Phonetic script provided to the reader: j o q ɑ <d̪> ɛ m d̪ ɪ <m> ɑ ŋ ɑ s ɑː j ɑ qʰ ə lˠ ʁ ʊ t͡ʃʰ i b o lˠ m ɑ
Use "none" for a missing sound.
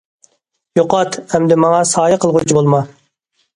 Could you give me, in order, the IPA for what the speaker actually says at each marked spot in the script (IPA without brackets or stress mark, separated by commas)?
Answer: t̪, m